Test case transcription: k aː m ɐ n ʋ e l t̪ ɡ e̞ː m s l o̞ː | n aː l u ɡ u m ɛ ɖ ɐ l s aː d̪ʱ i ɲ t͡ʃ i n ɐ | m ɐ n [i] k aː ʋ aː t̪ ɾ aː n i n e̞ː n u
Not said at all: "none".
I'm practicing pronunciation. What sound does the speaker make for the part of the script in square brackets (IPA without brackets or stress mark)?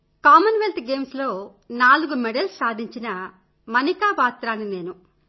i